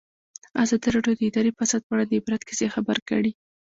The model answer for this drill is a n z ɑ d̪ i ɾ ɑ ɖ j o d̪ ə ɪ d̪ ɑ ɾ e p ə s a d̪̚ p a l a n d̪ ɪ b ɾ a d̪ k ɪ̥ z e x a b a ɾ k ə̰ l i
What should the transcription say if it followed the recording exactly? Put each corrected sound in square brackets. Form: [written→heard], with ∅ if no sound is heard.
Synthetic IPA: a [n→∅] z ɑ d̪ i ɾ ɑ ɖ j o d̪ ə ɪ d̪ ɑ ɾ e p [ə→a] s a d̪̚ p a [l→ɽ] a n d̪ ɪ b ɾ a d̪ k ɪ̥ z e x a b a ɾ k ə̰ [l→ɽ] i

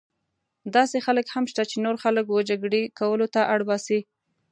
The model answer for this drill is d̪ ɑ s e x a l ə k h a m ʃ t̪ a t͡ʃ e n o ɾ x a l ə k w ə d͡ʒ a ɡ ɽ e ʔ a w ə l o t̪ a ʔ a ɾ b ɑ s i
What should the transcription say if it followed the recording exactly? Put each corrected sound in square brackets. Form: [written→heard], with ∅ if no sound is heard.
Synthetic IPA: d̪ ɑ s e x a l ə k h a m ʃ t̪ a t͡ʃ e n o ɾ x a l ə k w ə d͡ʒ a ɡ ɽ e [ʔ→k] a w ə l o t̪ a ʔ a [ɾ→ɽ] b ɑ s i

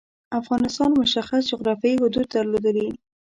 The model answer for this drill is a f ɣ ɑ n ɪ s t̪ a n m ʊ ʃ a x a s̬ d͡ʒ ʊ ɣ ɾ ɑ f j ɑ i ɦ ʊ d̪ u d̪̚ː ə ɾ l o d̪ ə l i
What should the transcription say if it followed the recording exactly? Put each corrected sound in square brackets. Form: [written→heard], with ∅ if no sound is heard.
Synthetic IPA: a f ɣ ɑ n ɪ s t̪ [a→ɑ] n m ʊ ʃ a x a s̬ d͡ʒ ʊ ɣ ɾ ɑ f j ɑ i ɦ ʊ d̪ u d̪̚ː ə ɾ l o d̪ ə l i

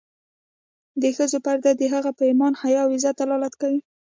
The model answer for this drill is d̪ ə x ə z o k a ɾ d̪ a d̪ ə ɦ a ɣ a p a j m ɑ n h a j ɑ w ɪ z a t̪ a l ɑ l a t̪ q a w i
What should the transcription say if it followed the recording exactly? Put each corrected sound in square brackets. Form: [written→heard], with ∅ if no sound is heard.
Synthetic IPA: d̪ ə x ə z o [k→p] a ɾ d̪ a d̪ ə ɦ a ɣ a p a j m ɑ n h a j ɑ w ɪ z a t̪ a l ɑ l a t̪ [q→k] a w i

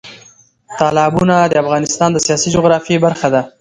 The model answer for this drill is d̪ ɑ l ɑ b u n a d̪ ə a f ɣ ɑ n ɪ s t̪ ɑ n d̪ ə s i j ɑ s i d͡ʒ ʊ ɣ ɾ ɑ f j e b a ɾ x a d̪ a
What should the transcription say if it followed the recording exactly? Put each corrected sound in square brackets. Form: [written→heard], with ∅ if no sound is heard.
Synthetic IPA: [d̪→t̪] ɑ l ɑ b u n a d̪ ə a f ɣ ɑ n ɪ s t̪ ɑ n d̪ ə s i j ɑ s i d͡ʒ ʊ ɣ ɾ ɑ f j e b a ɾ x a d̪ a

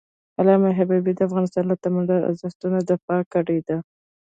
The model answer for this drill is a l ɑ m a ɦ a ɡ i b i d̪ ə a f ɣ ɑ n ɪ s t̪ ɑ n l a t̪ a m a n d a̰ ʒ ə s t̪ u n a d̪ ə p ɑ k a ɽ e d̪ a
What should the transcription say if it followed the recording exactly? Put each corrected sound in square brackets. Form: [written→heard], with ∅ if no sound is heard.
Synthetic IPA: a l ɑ m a ɦ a [ɡ→b] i b i d̪ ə a f ɣ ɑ n ɪ s t̪ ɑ n l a t̪ a m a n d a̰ [ʒ→z] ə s t̪ u n a d̪ ə p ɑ k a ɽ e d̪ a

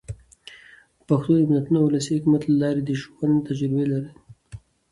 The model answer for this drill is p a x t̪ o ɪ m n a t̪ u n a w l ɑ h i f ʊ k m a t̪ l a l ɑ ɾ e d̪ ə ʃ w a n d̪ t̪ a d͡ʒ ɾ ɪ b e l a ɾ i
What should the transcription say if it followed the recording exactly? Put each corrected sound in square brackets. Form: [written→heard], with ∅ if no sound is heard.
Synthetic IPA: p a x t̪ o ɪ m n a t̪ u n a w l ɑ [h→s] i [f→h] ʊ k m a t̪ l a l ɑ ɾ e d̪ ə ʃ w a n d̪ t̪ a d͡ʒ ɾ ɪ b e l a ɾ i

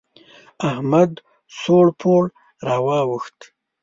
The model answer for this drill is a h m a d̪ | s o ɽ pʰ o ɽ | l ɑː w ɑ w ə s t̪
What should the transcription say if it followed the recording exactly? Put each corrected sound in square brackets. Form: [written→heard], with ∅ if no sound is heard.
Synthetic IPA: a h m a d̪ | s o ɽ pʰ o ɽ | [l→ɾ] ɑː w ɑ w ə [s→x] t̪

